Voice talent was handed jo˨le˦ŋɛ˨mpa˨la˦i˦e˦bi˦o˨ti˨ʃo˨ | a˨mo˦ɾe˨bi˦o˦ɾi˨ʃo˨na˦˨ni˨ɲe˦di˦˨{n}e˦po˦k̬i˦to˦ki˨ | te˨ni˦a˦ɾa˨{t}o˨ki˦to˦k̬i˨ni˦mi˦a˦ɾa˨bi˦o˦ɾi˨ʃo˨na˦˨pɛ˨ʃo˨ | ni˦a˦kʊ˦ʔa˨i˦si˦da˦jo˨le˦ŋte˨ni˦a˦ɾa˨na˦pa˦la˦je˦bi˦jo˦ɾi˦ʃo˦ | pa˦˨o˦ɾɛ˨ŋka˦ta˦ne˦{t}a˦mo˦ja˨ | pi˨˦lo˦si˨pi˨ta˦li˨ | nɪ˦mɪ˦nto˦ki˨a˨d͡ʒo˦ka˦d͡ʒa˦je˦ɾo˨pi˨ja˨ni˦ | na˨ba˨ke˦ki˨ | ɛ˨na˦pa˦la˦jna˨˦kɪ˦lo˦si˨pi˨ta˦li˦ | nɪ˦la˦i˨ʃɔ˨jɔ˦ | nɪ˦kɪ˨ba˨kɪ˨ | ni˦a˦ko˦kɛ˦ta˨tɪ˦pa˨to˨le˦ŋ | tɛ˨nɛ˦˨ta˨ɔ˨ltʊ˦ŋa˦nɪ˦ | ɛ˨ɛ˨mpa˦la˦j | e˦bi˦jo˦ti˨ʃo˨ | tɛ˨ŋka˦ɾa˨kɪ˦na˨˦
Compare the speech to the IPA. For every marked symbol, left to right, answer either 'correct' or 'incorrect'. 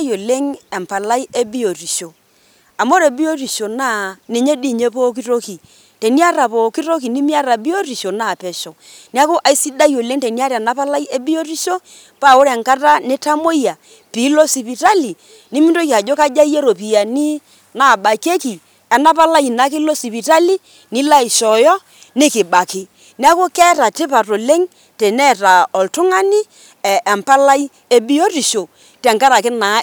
incorrect, incorrect, correct

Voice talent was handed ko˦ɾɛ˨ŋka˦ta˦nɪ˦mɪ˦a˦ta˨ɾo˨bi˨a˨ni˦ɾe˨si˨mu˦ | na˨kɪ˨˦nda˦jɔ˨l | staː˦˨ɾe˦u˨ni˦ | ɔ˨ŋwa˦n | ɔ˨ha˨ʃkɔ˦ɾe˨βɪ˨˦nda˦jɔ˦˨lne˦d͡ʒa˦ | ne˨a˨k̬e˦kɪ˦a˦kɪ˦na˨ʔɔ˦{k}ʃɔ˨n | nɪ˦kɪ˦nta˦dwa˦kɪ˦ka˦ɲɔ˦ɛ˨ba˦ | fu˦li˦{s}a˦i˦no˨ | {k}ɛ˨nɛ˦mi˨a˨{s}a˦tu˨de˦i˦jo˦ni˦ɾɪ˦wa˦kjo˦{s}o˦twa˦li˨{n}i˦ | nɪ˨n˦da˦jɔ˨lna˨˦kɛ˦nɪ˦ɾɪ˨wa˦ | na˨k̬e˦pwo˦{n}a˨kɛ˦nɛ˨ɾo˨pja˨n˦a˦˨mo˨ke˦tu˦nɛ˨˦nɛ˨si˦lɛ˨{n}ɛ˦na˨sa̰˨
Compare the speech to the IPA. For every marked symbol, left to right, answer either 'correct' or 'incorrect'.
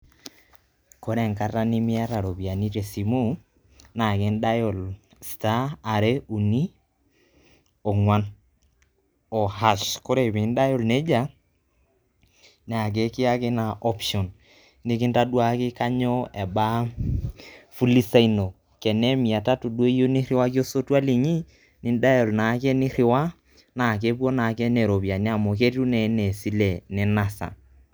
incorrect, correct, correct, incorrect, correct, incorrect, correct, correct

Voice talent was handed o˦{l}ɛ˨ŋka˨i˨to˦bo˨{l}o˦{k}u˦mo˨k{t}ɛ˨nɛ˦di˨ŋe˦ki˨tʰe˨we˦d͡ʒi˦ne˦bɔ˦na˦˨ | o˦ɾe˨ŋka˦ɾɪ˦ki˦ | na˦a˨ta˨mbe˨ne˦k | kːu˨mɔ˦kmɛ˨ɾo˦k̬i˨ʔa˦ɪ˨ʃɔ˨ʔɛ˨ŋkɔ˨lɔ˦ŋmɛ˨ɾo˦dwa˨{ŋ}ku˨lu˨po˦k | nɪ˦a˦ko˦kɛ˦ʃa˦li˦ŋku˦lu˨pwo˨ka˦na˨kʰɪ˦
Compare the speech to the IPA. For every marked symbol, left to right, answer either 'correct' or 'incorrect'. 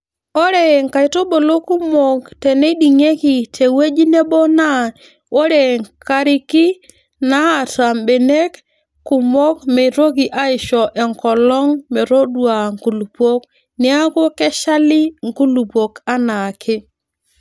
incorrect, correct, correct, correct, correct

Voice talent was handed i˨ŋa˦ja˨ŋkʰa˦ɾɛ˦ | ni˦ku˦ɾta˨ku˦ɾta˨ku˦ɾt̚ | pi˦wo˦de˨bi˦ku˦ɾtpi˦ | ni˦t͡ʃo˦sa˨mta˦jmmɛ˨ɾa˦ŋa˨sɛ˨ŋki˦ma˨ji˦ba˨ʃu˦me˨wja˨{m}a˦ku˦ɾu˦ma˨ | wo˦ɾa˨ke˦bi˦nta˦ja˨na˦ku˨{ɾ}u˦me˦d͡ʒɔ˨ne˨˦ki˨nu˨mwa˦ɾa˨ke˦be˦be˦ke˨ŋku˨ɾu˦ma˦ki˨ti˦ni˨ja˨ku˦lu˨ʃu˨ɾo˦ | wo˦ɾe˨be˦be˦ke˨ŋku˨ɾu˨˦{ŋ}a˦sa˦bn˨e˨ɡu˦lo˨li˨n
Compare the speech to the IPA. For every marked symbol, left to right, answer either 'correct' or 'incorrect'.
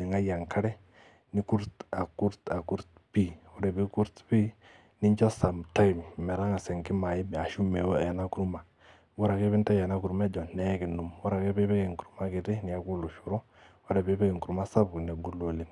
incorrect, correct, incorrect

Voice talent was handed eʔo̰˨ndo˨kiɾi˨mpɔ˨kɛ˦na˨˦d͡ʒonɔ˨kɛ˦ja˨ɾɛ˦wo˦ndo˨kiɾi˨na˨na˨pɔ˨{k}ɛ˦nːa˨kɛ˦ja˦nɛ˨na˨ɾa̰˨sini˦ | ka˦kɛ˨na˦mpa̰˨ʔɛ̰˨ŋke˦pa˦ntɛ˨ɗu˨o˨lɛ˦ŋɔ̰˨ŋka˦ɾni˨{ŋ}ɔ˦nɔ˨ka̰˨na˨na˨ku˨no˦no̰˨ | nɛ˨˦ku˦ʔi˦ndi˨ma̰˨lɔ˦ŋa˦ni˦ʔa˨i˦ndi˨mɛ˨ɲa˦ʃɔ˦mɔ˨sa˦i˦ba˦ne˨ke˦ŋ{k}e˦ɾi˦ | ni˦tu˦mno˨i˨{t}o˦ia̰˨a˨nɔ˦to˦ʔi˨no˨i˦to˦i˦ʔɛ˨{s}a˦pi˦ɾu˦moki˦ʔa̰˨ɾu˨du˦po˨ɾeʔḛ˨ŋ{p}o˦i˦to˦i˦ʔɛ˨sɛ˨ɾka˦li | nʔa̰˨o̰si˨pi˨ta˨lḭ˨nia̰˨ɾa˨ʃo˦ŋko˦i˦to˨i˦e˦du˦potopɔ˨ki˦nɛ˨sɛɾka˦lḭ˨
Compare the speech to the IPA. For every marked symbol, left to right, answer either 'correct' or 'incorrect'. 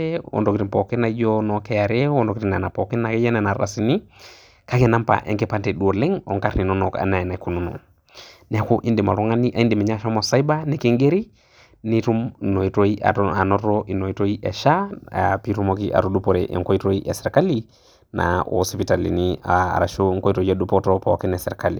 correct, incorrect, incorrect, correct, incorrect, incorrect

